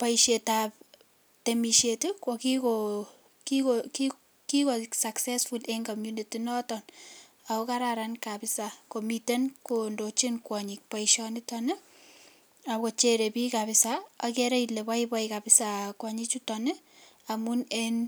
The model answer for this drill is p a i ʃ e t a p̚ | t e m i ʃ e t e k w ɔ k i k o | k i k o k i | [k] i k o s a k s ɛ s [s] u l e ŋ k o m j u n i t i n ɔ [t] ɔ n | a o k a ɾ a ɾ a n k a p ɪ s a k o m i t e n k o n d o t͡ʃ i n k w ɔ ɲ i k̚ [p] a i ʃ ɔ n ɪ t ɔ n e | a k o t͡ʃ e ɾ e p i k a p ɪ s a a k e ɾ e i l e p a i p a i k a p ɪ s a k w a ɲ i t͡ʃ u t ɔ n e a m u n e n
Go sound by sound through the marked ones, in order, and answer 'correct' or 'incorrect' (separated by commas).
correct, incorrect, correct, correct